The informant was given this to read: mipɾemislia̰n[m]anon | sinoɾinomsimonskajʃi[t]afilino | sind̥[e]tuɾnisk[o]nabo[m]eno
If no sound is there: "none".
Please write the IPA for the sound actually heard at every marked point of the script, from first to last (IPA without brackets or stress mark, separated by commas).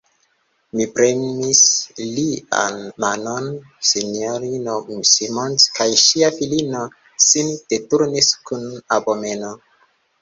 m, none, e, u, m